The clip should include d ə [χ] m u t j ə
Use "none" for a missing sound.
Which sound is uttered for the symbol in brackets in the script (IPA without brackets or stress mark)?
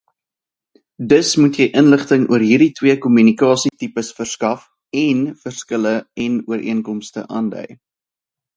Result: s